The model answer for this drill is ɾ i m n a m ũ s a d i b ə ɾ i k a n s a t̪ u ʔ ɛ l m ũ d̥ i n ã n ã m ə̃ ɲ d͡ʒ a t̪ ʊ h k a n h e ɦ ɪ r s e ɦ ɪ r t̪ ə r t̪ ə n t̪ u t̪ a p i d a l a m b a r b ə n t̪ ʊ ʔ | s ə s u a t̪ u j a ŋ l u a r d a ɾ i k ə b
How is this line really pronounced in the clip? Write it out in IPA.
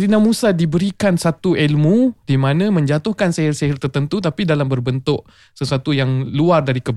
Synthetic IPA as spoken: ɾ i n a m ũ s a d i b ə ɾ i k a n s a t̪ u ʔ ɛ l m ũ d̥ i m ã n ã m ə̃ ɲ d͡ʒ a t̪ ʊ h k a n s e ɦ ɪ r s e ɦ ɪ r t̪ ə r t̪ ə n t̪ u t̪ a p i d a l a m b ə r b ə n t̪ ʊ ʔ | s ə s u a t̪ u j a ŋ l u a r d a ɾ i k ə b